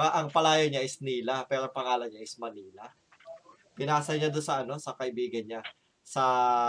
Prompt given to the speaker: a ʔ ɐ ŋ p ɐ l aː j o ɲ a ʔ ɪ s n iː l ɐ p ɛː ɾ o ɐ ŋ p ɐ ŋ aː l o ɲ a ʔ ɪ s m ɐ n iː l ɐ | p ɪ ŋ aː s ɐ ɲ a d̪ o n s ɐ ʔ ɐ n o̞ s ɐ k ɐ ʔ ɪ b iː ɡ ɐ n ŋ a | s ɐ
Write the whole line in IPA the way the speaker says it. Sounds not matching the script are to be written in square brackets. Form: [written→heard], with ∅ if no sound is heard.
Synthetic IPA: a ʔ ɐ ŋ p ɐ l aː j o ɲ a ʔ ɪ s n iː l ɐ p ɛː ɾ o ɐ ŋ p ɐ ŋ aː l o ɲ a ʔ ɪ s m ɐ n iː l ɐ | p ɪ [ŋ→n] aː s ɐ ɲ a d̪ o n s ɐ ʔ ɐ n o̞ s ɐ k ɐ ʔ ɪ b iː ɡ ɐ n [ŋ→ɲ] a | s ɐ